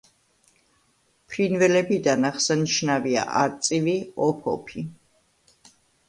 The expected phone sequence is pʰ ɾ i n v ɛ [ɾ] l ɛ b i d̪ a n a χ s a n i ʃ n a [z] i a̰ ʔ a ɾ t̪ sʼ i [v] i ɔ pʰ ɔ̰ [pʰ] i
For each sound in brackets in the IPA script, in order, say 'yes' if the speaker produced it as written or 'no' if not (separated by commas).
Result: no, no, yes, yes